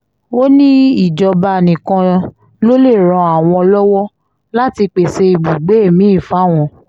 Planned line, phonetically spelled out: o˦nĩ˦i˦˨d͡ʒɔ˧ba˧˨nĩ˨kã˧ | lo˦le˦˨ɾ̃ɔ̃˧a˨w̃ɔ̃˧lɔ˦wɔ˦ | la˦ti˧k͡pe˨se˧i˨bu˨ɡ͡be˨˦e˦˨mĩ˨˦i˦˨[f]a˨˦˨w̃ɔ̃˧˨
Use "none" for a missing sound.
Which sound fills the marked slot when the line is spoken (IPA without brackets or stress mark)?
f